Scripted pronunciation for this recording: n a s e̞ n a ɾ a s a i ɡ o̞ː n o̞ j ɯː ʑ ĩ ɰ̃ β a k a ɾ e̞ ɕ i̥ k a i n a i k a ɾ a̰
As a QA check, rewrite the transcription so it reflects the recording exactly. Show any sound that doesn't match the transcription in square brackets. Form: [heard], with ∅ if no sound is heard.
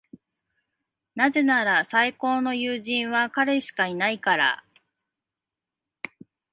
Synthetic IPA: n a [z] e̞ n a ɾ a s a i [k] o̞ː n o̞ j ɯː ʑ ĩ ɰ̃ β a k a ɾ e̞ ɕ i̥ k a i n a i k a ɾ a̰